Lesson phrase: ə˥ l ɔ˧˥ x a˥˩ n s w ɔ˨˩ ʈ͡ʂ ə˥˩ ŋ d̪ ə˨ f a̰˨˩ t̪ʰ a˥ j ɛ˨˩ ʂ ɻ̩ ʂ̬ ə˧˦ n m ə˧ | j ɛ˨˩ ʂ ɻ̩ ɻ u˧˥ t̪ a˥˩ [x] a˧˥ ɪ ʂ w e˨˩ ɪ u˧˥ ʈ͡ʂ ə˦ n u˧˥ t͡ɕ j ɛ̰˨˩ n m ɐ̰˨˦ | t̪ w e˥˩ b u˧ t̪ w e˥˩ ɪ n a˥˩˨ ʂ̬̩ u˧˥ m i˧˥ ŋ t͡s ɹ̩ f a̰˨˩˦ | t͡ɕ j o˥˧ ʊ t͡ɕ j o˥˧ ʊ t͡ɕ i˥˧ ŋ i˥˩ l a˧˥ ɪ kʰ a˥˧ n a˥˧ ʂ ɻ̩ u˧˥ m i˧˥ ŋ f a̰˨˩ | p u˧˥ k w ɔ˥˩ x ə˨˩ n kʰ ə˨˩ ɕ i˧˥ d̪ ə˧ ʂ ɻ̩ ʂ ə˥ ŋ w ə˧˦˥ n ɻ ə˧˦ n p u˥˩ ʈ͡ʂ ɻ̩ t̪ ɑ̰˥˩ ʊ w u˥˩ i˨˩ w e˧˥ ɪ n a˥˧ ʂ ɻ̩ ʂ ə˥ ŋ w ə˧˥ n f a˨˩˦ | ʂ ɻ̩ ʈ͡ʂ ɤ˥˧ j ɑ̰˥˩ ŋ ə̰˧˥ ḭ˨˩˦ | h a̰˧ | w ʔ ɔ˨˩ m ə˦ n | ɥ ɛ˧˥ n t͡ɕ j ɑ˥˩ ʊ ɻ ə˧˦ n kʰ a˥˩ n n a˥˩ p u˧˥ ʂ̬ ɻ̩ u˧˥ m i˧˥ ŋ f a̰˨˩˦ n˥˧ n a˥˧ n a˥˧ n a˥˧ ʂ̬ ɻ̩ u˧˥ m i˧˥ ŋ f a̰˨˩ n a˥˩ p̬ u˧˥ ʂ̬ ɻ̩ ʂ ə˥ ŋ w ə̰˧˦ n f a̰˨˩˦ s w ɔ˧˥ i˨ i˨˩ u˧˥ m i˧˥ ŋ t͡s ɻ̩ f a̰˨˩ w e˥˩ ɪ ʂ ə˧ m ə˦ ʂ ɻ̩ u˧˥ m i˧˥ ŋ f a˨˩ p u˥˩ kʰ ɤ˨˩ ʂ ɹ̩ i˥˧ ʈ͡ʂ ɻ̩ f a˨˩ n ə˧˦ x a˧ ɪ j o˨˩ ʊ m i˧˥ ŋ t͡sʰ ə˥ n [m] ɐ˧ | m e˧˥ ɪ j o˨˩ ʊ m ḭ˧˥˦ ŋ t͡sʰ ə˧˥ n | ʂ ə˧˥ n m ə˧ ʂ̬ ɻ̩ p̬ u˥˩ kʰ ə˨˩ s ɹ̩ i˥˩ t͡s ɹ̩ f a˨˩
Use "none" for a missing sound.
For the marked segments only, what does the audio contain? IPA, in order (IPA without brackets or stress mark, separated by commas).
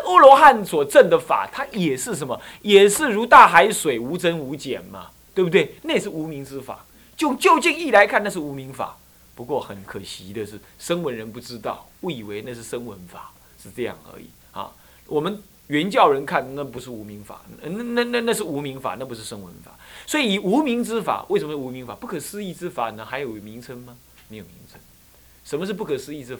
x, m